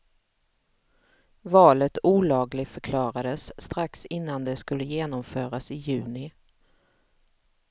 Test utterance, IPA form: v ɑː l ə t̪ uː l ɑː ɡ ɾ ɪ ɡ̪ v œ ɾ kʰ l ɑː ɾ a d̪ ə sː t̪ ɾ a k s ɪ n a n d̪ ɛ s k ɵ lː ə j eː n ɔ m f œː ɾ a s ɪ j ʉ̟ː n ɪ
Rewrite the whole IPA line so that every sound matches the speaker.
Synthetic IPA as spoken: v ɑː l ə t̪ uː l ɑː ɡ l ɪ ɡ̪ f œ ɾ kʰ l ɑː ɾ a d̪ ə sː t̪ ɾ a k s ɪ nː a n d̪ ɛ s k ɵ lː ə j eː n ɔ m f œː ɾ a s ɪ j ʉ̟ː n ɪ